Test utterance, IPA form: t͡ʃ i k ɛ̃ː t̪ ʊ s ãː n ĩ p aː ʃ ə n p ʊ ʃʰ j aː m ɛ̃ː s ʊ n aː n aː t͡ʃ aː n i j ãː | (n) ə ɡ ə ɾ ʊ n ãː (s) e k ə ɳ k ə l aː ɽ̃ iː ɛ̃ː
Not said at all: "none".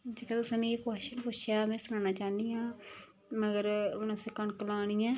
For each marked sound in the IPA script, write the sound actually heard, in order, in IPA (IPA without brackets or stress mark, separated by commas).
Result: m, s